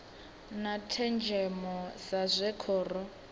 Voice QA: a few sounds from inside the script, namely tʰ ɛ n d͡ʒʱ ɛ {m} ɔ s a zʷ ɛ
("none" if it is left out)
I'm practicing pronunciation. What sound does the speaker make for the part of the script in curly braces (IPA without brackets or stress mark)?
m